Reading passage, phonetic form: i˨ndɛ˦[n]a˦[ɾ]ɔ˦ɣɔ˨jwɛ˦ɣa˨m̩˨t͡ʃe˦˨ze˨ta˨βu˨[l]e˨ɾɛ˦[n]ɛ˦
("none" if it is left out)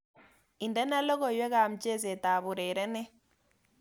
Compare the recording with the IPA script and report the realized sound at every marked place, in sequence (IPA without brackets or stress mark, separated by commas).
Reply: n, l, ɾ, n